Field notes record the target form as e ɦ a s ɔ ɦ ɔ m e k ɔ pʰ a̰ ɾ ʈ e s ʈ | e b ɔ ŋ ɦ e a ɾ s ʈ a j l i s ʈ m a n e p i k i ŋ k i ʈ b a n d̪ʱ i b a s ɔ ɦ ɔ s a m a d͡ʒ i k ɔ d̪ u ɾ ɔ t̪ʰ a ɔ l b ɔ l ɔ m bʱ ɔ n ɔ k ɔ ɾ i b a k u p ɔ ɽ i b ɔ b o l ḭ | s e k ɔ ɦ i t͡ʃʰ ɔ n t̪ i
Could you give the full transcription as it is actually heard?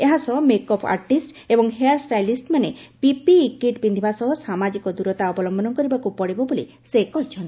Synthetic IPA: e ɦ a s ɔ ɦ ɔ m e k ɔ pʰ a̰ ɾ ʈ i s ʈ | e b ɔ ŋ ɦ e a ɾ s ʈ a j l i s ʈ m a n e p i p i k i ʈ b i n d̪ʱ i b a s ɔ ɦ ɔ s a m a d͡ʒ i k ɔ d̪ u ɾ ɔ t̪ a ɔ b ɔ l ɔ m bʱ ɔ n ɔ k ɔ ɾ i b a k u p ɔ ɽ i b ɔ b o l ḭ | s e k ɔ ɦ i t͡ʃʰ ɔ n t̪ i